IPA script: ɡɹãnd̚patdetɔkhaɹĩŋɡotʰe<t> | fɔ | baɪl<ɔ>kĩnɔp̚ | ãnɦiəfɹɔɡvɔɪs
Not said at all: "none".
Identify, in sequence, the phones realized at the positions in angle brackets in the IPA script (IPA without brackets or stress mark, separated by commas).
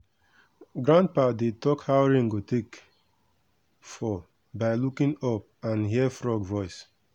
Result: k, u